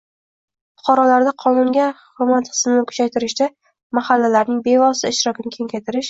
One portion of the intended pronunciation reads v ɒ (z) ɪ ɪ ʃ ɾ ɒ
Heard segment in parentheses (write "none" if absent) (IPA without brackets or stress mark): s